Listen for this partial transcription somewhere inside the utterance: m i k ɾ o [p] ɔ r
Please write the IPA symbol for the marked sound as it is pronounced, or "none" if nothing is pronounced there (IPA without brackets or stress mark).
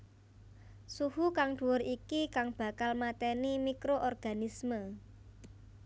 ʔ